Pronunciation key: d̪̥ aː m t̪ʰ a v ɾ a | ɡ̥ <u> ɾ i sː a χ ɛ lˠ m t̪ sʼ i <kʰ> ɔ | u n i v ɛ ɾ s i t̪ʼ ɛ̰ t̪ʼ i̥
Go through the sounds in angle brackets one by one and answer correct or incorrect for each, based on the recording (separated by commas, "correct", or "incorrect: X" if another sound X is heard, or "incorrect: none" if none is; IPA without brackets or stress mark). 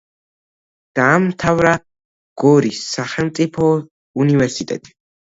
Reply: incorrect: ɔ, incorrect: pʰ